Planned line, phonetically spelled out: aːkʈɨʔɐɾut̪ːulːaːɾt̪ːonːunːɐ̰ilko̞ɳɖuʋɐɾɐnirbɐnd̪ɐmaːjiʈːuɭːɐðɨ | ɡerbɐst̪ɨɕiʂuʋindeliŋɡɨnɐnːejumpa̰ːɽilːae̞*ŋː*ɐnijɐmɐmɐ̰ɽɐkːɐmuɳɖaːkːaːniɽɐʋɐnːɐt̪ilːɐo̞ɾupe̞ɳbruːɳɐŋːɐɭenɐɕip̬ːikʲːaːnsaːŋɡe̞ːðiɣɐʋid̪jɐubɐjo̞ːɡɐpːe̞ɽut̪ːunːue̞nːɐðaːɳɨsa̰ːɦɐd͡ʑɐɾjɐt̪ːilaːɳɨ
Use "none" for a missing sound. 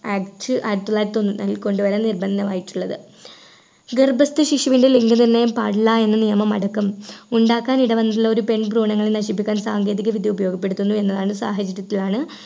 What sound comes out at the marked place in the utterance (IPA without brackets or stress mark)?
nː